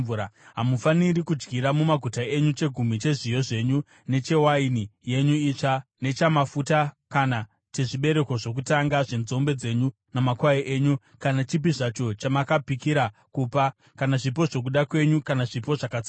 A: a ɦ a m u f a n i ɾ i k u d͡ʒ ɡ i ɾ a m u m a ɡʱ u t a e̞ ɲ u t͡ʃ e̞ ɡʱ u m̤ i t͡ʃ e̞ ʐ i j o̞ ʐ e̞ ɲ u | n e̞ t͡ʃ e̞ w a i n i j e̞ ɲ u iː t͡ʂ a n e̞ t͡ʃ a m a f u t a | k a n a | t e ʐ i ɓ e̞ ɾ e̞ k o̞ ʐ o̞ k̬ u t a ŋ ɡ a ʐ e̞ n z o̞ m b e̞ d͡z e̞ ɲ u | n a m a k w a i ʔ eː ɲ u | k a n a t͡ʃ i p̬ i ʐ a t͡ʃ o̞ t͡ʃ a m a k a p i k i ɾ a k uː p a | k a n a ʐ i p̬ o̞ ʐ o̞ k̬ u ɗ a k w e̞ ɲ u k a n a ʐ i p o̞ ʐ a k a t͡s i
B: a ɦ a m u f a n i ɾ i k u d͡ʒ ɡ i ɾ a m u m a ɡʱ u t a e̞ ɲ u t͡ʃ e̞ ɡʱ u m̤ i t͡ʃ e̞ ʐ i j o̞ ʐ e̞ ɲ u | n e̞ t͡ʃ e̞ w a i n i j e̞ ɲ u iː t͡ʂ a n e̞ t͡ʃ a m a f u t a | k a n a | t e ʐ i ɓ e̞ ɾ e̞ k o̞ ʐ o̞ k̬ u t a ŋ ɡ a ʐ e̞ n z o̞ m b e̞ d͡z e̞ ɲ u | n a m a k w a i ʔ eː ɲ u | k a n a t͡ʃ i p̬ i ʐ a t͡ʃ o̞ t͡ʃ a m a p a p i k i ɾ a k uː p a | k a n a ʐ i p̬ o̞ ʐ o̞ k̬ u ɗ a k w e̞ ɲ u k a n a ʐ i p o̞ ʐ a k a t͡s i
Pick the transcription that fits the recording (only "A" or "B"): A